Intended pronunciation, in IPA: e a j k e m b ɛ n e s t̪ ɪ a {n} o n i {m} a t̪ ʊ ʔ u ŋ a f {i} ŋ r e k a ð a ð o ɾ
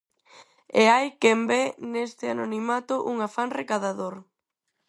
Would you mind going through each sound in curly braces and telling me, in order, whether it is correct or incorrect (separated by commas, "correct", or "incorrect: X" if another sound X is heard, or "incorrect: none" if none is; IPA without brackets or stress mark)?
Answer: correct, correct, incorrect: a